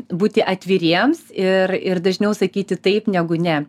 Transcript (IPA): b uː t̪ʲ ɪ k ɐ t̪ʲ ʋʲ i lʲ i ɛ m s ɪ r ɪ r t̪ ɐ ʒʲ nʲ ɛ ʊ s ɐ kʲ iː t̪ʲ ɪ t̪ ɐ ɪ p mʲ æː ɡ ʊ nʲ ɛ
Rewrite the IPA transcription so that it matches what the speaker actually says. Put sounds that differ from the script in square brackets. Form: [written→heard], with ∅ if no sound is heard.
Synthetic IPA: b uː t̪ʲ ɪ [k→ʔ] ɐ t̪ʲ ʋʲ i [lʲ→ɾʲ] i ɛ m s ɪ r ɪ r [t̪→d̪] ɐ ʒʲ nʲ ɛ ʊ s ɐ kʲ iː t̪ʲ ɪ t̪ ɐ ɪ p [mʲ→nʲ] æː ɡ ʊ nʲ ɛ

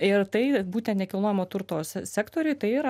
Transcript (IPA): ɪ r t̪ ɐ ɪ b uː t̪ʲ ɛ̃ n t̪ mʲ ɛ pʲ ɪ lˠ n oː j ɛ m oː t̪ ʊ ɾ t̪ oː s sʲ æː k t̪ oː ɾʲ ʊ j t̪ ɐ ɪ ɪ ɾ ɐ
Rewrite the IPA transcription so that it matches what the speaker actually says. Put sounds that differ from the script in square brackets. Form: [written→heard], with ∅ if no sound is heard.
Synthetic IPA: ɪ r t̪ ɐ ɪ b uː t̪ʲ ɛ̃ n t̪ [mʲ→nʲ] ɛ [pʲ→kʲ] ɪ lˠ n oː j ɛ m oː t̪ ʊ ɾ t̪ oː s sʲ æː k t̪ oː ɾʲ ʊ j t̪ ɐ ɪ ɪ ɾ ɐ

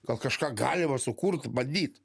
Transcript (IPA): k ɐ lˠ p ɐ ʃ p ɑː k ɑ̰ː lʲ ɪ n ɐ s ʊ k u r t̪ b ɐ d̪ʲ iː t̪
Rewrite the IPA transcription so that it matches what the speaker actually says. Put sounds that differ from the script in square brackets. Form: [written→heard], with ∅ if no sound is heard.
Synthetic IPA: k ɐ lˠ [p→k] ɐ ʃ [p→k] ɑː [k→ɡ] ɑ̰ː lʲ ɪ [n→m] ɐ s ʊ k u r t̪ b ɐ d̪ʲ iː t̪

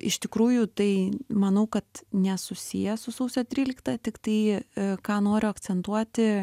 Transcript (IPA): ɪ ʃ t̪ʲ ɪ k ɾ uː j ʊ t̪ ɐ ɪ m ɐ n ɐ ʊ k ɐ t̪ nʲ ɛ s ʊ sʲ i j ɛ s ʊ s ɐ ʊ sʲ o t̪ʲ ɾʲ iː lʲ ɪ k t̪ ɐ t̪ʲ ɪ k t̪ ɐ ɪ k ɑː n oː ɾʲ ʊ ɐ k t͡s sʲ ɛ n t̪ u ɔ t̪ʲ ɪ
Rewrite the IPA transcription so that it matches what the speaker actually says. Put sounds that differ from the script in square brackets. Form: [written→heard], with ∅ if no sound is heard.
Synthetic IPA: ɪ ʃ t̪ʲ ɪ k ɾ uː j ʊ t̪ ɐ ɪ m ɐ n ɐ ʊ k ɐ t̪ nʲ ɛ s ʊ sʲ i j ɛ s ʊ s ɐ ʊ sʲ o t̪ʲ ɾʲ iː lʲ ɪ k t̪ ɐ t̪ʲ ɪ k t̪ ɐ ɪ k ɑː n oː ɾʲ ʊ ɐ k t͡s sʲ ɛ n t̪ u ɔ t̪ʲ ɪ

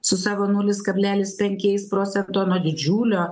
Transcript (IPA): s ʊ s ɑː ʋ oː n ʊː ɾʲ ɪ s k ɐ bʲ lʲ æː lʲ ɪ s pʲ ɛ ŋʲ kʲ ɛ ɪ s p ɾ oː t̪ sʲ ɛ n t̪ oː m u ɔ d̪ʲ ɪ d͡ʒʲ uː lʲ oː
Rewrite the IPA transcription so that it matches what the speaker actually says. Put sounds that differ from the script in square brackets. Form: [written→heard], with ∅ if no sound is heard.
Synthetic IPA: s ʊ s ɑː ʋ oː n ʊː [ɾʲ→lʲ] ɪ s k ɐ bʲ lʲ æː lʲ ɪ s pʲ ɛ ŋʲ kʲ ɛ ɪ s p ɾ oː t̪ sʲ ɛ n t̪ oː [m→n] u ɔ d̪ʲ ɪ d͡ʒʲ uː lʲ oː

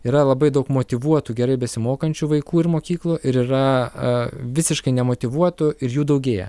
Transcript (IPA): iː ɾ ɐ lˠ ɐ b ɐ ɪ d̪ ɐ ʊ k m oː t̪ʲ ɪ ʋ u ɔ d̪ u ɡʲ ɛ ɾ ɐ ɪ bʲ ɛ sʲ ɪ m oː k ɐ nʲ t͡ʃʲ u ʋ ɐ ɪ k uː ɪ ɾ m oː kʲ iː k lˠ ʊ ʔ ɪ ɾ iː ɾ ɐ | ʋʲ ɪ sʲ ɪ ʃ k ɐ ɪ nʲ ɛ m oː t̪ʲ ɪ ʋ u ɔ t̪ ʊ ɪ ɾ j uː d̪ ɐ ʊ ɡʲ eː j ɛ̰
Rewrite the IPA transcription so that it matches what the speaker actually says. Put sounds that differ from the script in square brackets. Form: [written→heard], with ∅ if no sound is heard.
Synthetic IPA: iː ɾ ɐ lˠ ɐ b ɐ ɪ d̪ ɐ ʊ k m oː t̪ʲ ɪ ʋ u ɔ [d̪→t̪] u ɡʲ ɛ ɾ ɐ ɪ bʲ ɛ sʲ ɪ m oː k ɐ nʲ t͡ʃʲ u ʋ ɐ ɪ k uː ɪ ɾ m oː kʲ iː k lˠ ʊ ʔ ɪ ɾ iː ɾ ɐ | ʋʲ ɪ sʲ ɪ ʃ k ɐ ɪ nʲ ɛ m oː t̪ʲ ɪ ʋ u ɔ t̪ ʊ ɪ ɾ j uː d̪ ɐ ʊ ɡʲ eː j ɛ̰

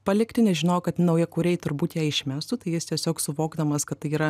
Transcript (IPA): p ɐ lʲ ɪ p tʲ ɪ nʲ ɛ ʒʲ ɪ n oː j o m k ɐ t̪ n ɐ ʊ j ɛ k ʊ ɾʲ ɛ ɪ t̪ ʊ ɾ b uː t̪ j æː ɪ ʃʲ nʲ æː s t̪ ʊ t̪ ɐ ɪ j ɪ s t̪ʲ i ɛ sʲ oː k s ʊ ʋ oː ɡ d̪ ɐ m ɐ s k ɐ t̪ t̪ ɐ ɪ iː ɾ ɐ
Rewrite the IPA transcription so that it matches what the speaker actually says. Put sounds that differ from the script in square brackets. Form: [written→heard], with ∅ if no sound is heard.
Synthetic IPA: p ɐ lʲ ɪ [p→k] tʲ ɪ nʲ ɛ ʒʲ ɪ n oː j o [m→∅] k ɐ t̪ n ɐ ʊ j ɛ k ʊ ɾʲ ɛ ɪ t̪ ʊ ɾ b uː t̪ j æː ɪ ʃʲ [nʲ→mʲ] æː s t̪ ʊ t̪ ɐ ɪ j ɪ s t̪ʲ i ɛ sʲ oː k s ʊ ʋ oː ɡ d̪ ɐ m ɐ s k ɐ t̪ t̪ ɐ ɪ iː ɾ ɐ

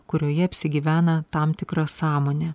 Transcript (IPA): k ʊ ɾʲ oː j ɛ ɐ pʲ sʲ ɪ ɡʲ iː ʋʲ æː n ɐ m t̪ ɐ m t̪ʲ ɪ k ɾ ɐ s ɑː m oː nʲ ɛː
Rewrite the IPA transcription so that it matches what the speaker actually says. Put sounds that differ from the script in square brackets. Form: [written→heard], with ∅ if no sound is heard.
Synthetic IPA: k ʊ ɾʲ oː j ɛ ɐ pʲ sʲ ɪ ɡʲ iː ʋʲ æː n ɐ [m→∅] t̪ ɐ m t̪ʲ ɪ k ɾ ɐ s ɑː m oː nʲ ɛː

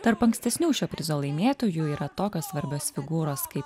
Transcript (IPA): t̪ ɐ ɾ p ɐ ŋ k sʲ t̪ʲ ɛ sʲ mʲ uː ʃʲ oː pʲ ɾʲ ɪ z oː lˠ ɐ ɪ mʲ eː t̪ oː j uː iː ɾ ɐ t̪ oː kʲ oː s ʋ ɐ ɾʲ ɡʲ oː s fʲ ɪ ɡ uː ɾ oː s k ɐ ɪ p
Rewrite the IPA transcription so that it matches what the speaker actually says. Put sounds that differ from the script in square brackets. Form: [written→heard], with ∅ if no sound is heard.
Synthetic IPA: t̪ ɐ ɾ p ɐ ŋ k sʲ t̪ʲ ɛ sʲ [mʲ→nʲ] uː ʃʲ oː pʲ ɾʲ ɪ z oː lˠ ɐ ɪ mʲ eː t̪ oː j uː iː ɾ ɐ t̪ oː kʲ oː s ʋ ɐ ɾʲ [ɡʲ→bʲ] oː s fʲ ɪ ɡ uː ɾ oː s k ɐ ɪ p

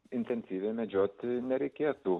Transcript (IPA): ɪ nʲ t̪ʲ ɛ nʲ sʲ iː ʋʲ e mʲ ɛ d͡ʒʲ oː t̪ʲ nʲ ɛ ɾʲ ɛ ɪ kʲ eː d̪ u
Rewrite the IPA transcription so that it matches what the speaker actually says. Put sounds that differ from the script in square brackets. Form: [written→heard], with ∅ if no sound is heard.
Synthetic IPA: ɪ nʲ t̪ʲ ɛ nʲ sʲ iː ʋʲ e mʲ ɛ d͡ʒʲ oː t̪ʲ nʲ ɛ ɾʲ ɛ ɪ kʲ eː [d̪→t̪] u

